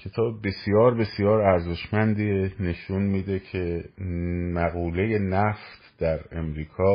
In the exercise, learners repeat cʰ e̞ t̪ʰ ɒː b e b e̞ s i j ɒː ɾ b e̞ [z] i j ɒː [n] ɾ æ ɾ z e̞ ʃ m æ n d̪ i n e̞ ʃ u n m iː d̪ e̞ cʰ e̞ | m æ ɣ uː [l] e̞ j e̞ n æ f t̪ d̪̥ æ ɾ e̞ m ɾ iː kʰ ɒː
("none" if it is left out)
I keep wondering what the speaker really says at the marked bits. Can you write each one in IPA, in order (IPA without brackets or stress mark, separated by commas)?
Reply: s, none, l